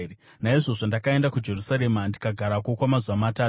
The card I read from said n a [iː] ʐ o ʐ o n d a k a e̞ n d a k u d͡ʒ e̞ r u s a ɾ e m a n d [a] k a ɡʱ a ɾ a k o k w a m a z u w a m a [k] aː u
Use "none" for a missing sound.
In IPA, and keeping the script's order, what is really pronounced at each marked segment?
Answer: i, i, t

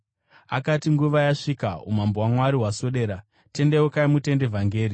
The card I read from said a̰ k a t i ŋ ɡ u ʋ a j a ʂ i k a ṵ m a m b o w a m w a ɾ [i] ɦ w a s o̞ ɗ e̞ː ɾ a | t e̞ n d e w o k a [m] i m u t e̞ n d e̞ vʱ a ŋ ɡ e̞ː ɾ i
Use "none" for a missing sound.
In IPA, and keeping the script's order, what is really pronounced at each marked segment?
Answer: i, none

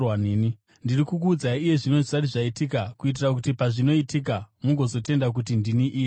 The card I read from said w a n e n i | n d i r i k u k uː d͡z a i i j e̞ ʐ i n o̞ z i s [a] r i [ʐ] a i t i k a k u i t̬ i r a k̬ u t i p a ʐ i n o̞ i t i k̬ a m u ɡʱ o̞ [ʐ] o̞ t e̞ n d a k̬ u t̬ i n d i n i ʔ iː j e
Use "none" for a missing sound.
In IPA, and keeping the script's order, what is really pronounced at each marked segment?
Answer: a, ʐ, z

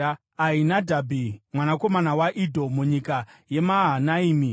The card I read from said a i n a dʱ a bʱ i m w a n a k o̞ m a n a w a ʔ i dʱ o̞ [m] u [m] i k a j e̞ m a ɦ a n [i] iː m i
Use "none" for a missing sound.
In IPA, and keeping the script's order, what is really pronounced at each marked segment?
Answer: m, ɲ, a

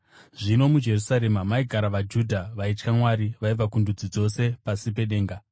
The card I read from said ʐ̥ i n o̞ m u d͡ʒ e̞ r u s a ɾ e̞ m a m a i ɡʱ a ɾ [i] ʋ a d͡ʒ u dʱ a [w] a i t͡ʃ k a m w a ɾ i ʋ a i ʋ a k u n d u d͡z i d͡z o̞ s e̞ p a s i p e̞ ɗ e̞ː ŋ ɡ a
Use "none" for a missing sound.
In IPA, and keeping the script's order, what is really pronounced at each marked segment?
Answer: a, ʋ

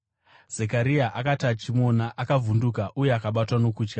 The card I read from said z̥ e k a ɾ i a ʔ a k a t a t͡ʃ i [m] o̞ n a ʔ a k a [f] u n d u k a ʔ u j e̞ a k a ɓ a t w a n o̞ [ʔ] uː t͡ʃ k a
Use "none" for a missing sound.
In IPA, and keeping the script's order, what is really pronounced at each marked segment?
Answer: m, v, k

